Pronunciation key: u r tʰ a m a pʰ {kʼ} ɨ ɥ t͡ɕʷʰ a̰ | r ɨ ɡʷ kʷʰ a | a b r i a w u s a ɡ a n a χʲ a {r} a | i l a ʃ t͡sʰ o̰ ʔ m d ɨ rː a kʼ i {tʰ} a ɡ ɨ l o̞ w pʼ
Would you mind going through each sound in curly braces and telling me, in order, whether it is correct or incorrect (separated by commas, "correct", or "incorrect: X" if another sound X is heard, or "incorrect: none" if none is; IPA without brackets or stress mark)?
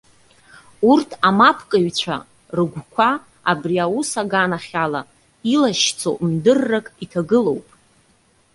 correct, incorrect: l, correct